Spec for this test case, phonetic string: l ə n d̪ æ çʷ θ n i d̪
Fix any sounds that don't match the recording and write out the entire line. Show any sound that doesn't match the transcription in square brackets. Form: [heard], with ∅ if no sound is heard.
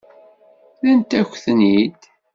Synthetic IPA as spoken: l ə n [t̪] æ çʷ θ n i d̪